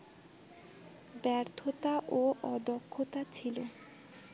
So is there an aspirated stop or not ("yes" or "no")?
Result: yes